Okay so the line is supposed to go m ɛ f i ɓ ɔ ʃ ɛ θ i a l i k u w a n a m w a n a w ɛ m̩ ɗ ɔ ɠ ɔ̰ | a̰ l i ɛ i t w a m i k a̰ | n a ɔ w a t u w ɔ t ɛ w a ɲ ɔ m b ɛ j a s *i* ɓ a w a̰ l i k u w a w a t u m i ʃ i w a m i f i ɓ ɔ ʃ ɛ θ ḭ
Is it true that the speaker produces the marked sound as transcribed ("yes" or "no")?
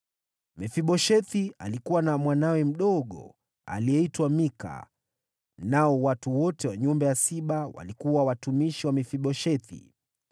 yes